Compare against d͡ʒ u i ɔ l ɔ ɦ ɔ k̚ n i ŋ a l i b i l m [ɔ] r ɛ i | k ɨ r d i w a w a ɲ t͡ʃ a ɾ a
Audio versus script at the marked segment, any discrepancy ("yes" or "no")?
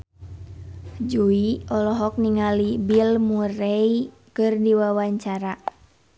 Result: yes